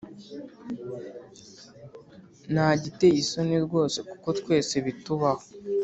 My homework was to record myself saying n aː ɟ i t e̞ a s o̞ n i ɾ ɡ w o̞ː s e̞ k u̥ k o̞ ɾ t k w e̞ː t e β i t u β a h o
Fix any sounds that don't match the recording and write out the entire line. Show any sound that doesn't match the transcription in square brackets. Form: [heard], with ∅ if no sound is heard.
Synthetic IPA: n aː ɟ i t e̞ [i] s o̞ n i ɾ ɡ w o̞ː s e̞ k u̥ k o̞ [∅] t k w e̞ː [s] e β i t u β a h o